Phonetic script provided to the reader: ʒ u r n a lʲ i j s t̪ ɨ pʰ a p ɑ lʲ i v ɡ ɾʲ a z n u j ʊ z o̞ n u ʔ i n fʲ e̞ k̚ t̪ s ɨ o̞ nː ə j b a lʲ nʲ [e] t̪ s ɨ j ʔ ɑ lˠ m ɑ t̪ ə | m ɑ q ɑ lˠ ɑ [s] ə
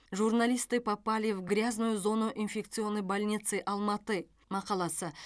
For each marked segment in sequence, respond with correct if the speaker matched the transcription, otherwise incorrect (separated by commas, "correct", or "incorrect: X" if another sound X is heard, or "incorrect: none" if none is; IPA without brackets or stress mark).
incorrect: i, correct